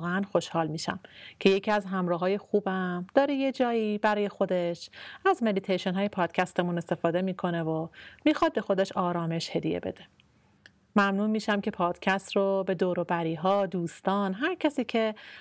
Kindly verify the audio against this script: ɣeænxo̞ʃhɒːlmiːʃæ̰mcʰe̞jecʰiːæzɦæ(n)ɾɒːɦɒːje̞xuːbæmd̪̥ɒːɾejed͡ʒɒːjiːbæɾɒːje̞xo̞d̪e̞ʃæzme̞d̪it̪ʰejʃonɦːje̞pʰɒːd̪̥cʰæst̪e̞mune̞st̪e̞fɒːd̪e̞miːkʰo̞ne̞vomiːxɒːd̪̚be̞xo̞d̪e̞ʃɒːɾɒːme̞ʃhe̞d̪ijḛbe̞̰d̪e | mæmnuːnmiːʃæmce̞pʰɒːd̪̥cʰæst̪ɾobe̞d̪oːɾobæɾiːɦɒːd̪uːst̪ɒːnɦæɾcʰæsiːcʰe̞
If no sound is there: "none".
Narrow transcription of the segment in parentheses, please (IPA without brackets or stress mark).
m